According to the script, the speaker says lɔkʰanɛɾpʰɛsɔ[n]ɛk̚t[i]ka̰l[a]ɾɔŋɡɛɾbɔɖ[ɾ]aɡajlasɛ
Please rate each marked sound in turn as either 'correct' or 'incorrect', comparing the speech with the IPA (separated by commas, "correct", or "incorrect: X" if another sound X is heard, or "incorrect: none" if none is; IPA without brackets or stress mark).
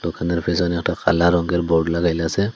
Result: correct, incorrect: a, correct, incorrect: l